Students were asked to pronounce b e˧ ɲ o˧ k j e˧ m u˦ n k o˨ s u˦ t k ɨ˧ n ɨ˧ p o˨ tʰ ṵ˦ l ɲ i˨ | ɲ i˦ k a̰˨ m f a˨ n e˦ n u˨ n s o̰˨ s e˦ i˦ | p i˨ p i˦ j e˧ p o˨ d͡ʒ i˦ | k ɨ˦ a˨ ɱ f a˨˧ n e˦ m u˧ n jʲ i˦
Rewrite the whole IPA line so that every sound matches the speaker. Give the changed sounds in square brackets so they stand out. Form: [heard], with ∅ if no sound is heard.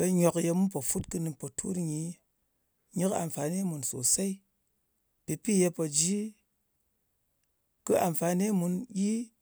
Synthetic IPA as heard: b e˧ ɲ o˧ k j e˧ m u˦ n [p] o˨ [f] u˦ t k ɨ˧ n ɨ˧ p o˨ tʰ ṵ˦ [ɾ] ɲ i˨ | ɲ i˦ k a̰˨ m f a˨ n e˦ [m] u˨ n s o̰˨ s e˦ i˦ | p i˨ p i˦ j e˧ p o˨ d͡ʒ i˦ | k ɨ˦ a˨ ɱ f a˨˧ n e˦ m u˧ n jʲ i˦

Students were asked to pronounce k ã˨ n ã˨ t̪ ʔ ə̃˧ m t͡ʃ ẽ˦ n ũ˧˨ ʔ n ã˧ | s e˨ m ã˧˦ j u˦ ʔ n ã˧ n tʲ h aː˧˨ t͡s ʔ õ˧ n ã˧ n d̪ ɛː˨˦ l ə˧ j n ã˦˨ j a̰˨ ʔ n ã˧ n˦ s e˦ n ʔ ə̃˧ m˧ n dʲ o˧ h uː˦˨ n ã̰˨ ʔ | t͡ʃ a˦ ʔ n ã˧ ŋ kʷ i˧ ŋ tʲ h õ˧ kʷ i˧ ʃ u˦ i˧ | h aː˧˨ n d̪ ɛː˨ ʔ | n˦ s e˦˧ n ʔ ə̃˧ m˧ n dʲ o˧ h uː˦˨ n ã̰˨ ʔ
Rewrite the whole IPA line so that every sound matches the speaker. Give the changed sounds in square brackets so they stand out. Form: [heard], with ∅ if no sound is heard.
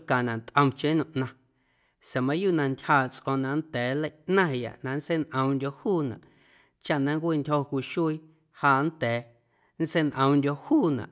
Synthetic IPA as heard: k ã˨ n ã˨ t̪ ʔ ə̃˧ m t͡ʃ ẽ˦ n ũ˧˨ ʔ n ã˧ | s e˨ m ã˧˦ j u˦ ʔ n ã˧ n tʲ h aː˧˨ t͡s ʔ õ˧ n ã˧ n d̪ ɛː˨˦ l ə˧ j n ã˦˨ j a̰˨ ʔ n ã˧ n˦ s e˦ n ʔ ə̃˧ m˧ n dʲ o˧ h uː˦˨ n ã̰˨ ʔ | t͡ʃ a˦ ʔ n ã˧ ŋ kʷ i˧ [n] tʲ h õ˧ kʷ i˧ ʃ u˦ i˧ | h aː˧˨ n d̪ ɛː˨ [∅] | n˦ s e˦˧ n ʔ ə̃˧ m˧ n dʲ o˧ h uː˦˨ n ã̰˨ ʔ

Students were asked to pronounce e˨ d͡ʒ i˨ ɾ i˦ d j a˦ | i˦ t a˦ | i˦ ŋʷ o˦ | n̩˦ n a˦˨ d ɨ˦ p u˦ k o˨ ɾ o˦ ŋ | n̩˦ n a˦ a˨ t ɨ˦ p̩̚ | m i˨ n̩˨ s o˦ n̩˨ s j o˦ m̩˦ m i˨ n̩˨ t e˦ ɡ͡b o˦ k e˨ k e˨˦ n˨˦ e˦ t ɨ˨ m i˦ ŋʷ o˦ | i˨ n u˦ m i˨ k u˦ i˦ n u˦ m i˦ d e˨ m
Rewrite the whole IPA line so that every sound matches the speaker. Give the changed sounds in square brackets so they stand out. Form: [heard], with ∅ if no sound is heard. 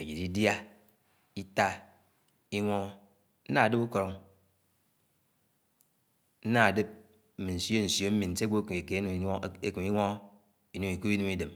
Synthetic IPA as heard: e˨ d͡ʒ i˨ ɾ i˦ d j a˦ | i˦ t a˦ | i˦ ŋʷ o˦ | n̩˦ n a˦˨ d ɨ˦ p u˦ k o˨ ɾ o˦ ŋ | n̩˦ n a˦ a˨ [d] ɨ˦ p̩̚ | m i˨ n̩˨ s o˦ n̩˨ s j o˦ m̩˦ m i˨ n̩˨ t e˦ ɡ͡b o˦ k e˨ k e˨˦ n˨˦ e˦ [k] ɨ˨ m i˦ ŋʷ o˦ | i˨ n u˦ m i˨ k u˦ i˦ n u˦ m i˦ d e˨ m

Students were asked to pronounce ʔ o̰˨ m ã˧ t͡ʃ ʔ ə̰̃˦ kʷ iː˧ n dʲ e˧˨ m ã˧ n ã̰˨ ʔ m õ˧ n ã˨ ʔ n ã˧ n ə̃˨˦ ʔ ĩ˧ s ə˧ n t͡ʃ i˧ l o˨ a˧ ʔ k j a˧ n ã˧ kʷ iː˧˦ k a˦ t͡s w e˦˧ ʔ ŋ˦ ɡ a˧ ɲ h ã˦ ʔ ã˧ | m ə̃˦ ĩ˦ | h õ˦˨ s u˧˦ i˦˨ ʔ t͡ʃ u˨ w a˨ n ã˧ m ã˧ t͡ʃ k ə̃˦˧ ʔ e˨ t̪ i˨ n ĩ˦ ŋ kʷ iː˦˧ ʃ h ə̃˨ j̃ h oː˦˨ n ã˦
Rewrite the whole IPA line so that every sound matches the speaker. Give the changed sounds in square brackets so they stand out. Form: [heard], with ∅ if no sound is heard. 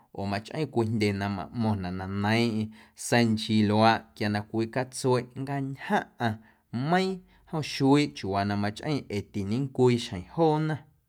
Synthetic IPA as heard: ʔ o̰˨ m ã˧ t͡ʃ ʔ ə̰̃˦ kʷ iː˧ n dʲ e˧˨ [n] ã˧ [m] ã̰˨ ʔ m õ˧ n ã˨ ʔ n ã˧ n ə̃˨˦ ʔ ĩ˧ s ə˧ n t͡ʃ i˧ l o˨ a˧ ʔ k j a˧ n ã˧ kʷ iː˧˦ k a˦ t͡s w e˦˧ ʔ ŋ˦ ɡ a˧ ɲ h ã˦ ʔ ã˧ | m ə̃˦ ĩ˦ | h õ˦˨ [ʃ] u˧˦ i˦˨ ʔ t͡ʃ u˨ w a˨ n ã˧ m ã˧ t͡ʃ [ʔ] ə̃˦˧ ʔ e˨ t̪ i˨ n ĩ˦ ŋ kʷ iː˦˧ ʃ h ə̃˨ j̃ h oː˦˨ n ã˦

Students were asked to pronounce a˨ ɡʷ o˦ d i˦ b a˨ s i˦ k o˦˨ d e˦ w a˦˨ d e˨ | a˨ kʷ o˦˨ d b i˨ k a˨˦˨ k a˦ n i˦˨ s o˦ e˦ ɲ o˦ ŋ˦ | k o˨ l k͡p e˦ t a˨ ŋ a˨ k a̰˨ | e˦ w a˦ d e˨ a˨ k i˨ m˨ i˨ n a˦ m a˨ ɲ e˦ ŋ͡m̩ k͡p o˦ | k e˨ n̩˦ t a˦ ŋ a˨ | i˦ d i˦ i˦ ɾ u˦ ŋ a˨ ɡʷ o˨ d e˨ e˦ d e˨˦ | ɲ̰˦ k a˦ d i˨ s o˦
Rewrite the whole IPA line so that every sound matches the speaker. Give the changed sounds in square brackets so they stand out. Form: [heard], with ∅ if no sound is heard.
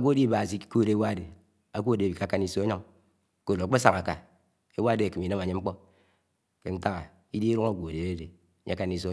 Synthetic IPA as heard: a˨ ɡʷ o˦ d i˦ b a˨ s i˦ k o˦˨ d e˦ w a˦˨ d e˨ | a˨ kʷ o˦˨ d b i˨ k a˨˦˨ k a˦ n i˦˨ s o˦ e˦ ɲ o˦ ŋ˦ | k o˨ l k͡p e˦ [s] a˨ ŋ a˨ k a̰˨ | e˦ w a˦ d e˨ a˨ k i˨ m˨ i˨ n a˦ m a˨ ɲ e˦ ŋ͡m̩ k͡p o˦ | k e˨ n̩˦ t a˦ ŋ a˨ | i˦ d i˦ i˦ ɾ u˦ ŋ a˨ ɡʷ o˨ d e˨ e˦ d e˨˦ | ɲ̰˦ k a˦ [n] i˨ s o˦

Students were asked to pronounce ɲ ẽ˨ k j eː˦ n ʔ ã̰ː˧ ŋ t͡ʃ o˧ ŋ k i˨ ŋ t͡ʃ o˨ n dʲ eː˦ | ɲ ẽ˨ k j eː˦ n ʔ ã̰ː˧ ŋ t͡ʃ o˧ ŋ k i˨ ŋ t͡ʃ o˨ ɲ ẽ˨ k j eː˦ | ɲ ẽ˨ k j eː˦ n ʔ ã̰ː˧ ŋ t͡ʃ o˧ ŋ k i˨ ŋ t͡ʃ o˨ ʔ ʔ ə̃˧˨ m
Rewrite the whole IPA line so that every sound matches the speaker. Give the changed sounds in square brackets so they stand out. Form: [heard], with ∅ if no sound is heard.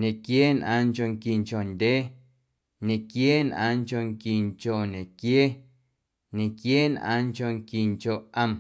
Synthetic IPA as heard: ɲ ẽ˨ k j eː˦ n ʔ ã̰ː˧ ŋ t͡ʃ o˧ ŋ k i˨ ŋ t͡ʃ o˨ n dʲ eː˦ | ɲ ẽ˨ k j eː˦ n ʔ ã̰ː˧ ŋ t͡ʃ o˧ ŋ k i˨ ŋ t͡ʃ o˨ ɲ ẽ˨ k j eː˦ | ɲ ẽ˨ k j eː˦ n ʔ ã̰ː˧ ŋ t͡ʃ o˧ ŋ k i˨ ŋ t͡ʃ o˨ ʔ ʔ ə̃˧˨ m

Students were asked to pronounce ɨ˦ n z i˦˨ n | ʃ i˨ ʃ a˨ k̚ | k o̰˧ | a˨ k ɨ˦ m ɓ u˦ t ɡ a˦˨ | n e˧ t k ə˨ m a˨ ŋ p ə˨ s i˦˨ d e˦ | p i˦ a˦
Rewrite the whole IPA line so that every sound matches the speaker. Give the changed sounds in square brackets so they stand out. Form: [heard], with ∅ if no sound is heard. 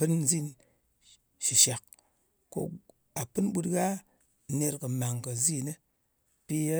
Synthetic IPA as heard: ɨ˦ n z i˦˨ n | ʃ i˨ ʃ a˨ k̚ | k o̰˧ | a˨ [p] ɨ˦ [n] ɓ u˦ t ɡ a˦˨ | n e˧ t k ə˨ m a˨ ŋ [k] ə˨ [z] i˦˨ [n] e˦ | p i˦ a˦

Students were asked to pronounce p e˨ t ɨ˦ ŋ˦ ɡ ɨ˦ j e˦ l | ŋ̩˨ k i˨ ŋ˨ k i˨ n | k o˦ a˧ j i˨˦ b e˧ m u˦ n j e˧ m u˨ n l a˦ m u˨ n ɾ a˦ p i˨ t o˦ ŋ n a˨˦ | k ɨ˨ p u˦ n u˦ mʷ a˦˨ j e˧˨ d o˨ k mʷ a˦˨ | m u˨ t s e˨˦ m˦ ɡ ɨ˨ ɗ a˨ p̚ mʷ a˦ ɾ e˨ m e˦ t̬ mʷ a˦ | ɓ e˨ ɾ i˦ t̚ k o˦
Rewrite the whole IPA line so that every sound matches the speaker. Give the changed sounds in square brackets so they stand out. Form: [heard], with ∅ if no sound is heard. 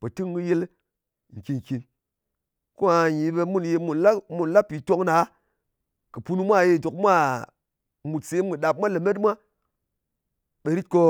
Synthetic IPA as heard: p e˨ t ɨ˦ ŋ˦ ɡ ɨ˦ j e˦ l | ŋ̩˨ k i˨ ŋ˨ k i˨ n | k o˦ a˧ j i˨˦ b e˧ m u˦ n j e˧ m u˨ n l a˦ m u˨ n [l] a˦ p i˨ t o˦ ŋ n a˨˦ | k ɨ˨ p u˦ n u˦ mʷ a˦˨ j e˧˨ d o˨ k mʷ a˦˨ | m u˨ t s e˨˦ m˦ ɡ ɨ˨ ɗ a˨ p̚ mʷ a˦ [l] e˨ m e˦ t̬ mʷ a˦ | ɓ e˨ ɾ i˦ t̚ k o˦

